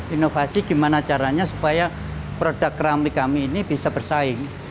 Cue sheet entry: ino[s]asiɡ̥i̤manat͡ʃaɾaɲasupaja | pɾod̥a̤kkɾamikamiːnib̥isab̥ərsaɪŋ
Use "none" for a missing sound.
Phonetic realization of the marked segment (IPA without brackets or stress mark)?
f